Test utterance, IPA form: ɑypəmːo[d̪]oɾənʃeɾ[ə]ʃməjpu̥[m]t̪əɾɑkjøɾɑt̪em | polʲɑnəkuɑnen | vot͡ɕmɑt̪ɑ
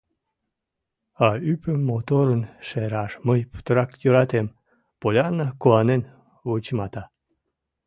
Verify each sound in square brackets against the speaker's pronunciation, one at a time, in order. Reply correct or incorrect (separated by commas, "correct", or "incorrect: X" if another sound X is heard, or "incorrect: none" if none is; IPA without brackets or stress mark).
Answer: incorrect: t̪, incorrect: ɑ, incorrect: none